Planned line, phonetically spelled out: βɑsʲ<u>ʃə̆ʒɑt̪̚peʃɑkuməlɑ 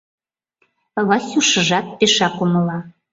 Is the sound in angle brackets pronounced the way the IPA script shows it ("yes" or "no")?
yes